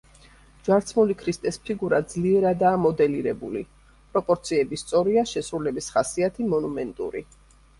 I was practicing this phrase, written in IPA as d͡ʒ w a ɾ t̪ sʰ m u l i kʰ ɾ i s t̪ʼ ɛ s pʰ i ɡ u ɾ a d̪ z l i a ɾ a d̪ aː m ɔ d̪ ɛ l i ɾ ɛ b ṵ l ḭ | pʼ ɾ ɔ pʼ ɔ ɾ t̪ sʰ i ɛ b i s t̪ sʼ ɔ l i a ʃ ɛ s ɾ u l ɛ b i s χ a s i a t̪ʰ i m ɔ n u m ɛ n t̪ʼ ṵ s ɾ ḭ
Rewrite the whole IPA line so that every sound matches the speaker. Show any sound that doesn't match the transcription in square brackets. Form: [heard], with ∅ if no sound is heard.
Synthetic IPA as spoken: d͡ʒ w a ɾ t̪ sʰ m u l i kʰ ɾ i s t̪ʼ ɛ s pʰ i ɡ u ɾ a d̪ z l i [ɛ] ɾ a d̪ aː m ɔ d̪ ɛ l i ɾ ɛ b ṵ l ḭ | pʼ ɾ ɔ pʼ ɔ ɾ t̪ sʰ i ɛ b i s t̪ sʼ ɔ [ɾ] i a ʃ ɛ s ɾ u l ɛ b i s χ a s i a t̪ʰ i m ɔ n u m ɛ n t̪ʼ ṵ [∅] ɾ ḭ

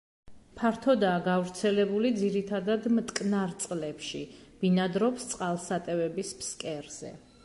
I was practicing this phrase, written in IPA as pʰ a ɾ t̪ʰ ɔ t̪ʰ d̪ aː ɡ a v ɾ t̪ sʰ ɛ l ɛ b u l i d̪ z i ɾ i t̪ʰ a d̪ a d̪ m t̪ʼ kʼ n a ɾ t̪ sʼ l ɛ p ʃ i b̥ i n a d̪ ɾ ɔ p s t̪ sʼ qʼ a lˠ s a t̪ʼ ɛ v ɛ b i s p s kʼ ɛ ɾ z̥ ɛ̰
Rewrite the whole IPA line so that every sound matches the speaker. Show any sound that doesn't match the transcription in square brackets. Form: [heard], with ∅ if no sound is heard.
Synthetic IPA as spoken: pʰ a ɾ t̪ʰ ɔ [∅] d̪ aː ɡ a v ɾ t̪ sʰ ɛ l ɛ b u l i d̪ z i ɾ i t̪ʰ a d̪ a d̪ m t̪ʼ kʼ n a ɾ t̪ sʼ l ɛ p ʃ i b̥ i n a d̪ ɾ ɔ p s t̪ sʼ qʼ a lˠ s a t̪ʼ ɛ v ɛ b i s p s kʼ ɛ ɾ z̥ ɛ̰

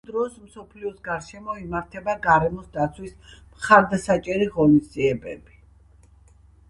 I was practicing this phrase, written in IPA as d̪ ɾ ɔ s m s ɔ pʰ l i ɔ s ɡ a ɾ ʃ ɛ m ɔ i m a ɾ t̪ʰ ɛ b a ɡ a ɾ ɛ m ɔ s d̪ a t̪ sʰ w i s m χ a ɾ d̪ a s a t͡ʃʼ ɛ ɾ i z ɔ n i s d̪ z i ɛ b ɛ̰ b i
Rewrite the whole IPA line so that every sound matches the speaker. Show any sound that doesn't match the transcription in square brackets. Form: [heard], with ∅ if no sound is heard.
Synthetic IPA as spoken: d̪ ɾ ɔ s m s ɔ pʰ l i ɔ s ɡ a ɾ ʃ ɛ m ɔ i m a ɾ t̪ʰ ɛ b a ɡ a ɾ ɛ m ɔ s d̪ a t̪ sʰ w i s m χ a ɾ d̪ a s a t͡ʃʼ ɛ ɾ i [ʁ] ɔ n i s d̪ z i ɛ b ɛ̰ b i

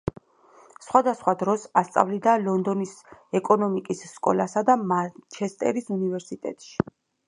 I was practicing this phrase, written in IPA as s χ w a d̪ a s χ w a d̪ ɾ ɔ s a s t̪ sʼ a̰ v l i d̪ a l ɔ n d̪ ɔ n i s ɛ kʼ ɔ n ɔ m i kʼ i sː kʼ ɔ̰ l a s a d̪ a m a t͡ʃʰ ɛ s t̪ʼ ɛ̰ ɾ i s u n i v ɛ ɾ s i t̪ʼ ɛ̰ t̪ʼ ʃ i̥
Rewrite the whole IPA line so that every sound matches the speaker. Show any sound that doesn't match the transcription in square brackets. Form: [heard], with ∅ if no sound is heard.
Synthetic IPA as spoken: s χ w a d̪ a s χ w a d̪ ɾ ɔ s a s t̪ sʼ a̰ v l i d̪ a l ɔ n d̪ ɔ n i s ɛ kʼ ɔ n ɔ m i kʼ i sː kʼ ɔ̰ l a s a d̪ a m a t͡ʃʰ ɛ s t̪ʼ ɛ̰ ɾ i s u n i v ɛ ɾ s i t̪ʼ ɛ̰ t̪ʼ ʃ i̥

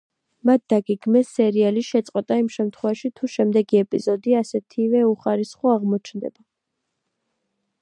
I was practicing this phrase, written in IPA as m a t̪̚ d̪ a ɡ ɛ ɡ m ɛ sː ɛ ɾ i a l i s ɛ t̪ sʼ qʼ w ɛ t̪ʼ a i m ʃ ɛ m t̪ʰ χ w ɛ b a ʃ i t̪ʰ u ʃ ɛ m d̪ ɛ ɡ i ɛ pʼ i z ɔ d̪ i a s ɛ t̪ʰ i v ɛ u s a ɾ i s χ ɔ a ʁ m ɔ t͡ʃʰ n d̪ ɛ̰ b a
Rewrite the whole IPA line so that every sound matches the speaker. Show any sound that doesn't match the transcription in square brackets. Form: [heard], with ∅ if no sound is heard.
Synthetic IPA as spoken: m a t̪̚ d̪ a ɡ ɛ ɡ m ɛ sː ɛ ɾ i a l i [ʃ] ɛ t̪ sʼ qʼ w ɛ t̪ʼ a i m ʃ ɛ m t̪ʰ χ w ɛ [v] a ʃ i t̪ʰ u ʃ ɛ m d̪ ɛ ɡ i ɛ pʼ i z ɔ d̪ i a s ɛ t̪ʰ i v ɛ u [χ] a ɾ i s χ ɔ a ʁ m ɔ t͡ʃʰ n d̪ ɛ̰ b a

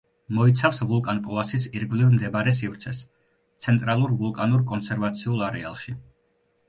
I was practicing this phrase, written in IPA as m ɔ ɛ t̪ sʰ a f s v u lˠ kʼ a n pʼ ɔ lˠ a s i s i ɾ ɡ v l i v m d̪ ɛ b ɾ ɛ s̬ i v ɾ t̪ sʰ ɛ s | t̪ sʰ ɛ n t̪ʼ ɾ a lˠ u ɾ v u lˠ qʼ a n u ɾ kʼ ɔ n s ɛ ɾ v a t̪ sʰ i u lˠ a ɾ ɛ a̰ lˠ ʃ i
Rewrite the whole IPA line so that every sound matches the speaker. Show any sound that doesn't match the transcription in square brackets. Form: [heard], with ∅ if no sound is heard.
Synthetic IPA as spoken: m ɔ [i] t̪ sʰ a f s v u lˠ kʼ a n pʼ ɔ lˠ a s i s i ɾ ɡ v l i v m d̪ ɛ b ɾ ɛ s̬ i v ɾ t̪ sʰ ɛ s | t̪ sʰ ɛ n t̪ʼ ɾ a lˠ u ɾ v u lˠ [kʼ] a n u ɾ kʼ ɔ n s ɛ ɾ v a t̪ sʰ i u lˠ a ɾ ɛ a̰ lˠ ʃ i

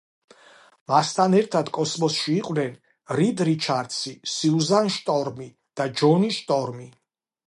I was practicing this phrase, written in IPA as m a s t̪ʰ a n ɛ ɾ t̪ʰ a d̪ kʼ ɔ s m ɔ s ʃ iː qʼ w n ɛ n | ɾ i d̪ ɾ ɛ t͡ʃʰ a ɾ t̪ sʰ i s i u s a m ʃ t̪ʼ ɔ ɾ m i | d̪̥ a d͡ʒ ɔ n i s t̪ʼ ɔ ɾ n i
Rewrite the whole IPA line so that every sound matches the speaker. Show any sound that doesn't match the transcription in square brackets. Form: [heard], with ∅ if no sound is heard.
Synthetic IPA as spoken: m a s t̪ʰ a n ɛ ɾ t̪ʰ a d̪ kʼ ɔ s m ɔ s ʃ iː qʼ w n ɛ n | ɾ i d̪ ɾ [i] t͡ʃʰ a ɾ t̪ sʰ i s i u [z] a [n] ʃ t̪ʼ ɔ ɾ m i | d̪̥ a d͡ʒ ɔ n i [ʃ] t̪ʼ ɔ ɾ [m] i

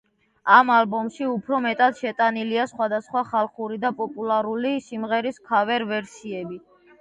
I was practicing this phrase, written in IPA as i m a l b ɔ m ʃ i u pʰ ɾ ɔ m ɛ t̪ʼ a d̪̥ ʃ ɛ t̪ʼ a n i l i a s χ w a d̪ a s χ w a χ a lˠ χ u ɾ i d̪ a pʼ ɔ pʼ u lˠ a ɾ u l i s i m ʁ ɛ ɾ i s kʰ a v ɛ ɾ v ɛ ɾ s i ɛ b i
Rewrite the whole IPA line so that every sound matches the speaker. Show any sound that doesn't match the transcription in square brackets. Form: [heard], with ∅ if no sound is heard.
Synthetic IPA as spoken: [a] m a l b ɔ m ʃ i u pʰ ɾ ɔ m ɛ t̪ʼ a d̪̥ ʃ ɛ t̪ʼ a n i l i a s χ w a d̪ a s χ w a χ a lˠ χ u ɾ i d̪ a pʼ ɔ pʼ u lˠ a ɾ u l i s i m ʁ ɛ ɾ i s kʰ a v ɛ ɾ v ɛ ɾ s i ɛ b i

